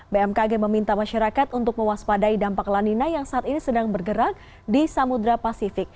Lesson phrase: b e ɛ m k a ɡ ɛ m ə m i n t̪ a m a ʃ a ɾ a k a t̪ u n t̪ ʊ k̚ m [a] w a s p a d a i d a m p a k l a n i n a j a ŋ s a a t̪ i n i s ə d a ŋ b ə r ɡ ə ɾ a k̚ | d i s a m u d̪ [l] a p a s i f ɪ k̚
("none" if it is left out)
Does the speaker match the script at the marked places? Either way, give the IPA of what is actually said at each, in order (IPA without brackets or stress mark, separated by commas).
ə, ɾ